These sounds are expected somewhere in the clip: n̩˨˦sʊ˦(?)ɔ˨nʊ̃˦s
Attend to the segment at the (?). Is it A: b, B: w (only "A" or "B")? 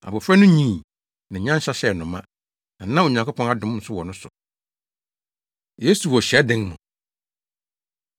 B